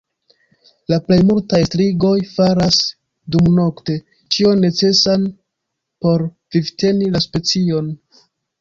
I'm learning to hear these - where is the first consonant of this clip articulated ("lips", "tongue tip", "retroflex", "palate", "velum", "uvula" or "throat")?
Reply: tongue tip